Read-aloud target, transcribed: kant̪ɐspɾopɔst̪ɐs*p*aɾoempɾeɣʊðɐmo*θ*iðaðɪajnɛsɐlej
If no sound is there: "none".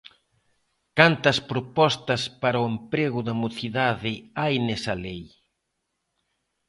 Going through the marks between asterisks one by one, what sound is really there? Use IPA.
p, θ

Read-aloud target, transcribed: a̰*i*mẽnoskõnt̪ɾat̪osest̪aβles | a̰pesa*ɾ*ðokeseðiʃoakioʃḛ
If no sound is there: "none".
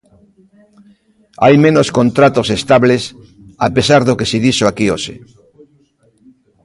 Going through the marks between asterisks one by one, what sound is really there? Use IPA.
j, ɾ

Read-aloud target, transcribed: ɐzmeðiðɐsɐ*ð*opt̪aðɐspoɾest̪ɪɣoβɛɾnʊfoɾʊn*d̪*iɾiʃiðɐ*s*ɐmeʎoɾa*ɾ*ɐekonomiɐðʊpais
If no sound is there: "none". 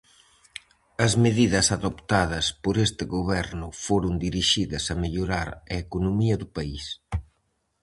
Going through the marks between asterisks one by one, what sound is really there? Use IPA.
ð, d̪, s, ɾ

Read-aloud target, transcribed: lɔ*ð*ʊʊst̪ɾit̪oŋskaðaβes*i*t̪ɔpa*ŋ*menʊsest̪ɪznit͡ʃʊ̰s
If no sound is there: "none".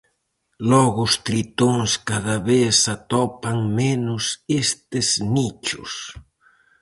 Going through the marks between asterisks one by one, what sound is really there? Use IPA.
ɣ, a, ŋ

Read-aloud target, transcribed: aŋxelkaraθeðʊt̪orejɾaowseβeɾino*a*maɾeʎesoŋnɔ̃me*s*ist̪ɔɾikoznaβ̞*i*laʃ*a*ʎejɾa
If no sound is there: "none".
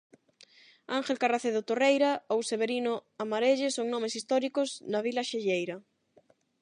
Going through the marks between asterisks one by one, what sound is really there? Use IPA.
a, s, i, e

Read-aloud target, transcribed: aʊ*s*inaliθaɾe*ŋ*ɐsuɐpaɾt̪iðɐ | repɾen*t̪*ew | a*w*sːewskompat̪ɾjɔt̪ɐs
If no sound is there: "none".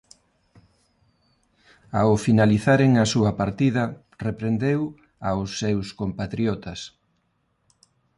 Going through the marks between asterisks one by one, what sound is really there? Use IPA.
f, ŋ, d̪, w

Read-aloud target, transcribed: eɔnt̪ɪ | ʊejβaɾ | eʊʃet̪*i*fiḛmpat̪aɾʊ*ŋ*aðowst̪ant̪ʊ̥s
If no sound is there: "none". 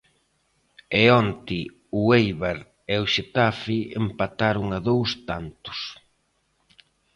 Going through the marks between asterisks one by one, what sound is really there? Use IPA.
a, ŋ

